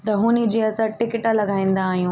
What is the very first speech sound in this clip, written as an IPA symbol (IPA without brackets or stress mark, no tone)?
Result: t̪